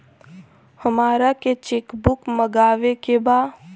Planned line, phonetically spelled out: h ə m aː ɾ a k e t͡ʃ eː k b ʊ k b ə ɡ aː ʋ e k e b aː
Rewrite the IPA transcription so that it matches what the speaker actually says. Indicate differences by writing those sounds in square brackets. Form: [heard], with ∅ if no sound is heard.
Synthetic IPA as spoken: h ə m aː ɾ a k e t͡ʃ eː k b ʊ k [m] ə ɡ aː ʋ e k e b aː